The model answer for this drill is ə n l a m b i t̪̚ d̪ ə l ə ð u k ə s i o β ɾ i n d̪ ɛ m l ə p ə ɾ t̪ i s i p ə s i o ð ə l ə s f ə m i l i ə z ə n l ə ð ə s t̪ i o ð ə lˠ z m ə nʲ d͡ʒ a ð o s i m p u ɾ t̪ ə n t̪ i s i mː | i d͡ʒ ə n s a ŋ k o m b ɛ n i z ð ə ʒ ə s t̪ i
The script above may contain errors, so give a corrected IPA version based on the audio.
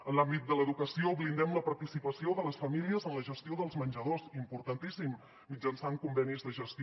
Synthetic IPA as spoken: ə n l a m b i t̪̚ d̪ ə l ə ð u k ə s i o β l i n d̪ ɛ m l ə p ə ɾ t̪ i s i p ə s i o ð ə l ə s f ə m i l i ə z ə n l ə ʒ ə s t̪ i o ð ə lˠ z m ə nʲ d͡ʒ ə ð o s i m p u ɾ t̪ ə n t̪ i s i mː | i d͡ʒ ə n s a ŋ k u m b ɛ n i z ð ə ʒ ə s t̪ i